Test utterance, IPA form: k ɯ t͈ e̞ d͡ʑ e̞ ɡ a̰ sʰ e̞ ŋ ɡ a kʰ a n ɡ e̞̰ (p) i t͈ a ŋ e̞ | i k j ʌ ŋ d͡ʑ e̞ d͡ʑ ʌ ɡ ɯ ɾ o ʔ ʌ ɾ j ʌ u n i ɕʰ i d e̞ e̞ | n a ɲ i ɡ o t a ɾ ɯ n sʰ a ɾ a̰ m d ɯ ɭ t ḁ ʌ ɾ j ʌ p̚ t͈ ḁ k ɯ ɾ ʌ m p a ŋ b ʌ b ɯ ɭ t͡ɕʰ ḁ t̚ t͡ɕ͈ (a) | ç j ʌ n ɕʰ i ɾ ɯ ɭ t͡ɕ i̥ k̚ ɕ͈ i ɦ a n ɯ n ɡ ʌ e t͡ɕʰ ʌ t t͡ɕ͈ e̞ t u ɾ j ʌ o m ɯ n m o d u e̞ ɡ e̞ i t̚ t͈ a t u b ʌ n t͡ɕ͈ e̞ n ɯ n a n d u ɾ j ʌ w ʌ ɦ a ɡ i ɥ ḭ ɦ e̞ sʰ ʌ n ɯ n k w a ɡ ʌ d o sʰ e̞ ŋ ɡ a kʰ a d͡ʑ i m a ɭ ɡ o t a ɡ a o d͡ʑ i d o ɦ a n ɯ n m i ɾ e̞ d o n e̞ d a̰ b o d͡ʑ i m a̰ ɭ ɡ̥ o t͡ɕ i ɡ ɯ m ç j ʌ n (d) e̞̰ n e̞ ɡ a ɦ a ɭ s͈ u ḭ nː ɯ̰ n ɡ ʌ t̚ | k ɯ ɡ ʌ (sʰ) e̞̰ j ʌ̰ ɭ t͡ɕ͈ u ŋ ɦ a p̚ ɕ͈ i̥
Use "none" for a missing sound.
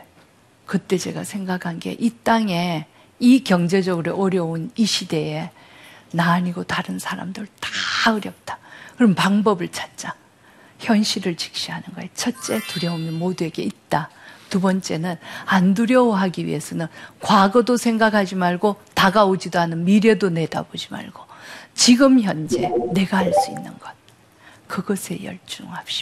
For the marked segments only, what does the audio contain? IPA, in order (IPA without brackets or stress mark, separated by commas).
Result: ʔ, a, d͡ʑ, sʰ